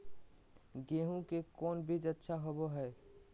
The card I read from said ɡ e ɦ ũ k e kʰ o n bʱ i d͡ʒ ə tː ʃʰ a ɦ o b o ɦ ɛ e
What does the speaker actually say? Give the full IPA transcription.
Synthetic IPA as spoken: ɡ e ɦ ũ k e k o n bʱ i d͡ʒ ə tː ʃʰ a ɦ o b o ɦ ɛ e